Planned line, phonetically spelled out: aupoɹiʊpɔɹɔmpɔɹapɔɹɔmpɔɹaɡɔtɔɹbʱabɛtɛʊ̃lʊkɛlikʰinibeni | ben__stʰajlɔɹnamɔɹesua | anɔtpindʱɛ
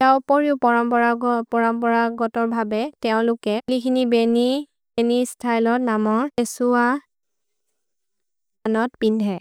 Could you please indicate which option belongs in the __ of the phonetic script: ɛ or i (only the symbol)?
i